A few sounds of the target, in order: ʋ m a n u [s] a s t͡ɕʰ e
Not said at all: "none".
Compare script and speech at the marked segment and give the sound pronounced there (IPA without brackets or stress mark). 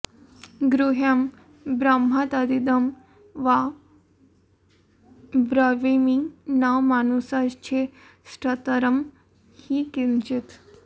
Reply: s